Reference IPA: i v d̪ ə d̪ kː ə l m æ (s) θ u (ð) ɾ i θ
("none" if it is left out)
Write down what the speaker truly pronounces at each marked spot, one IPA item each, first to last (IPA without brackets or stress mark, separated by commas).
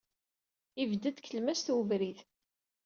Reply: s, v